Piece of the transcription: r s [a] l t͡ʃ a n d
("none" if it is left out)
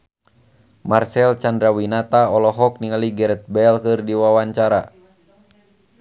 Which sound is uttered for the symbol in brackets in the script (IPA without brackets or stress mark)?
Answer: ɛ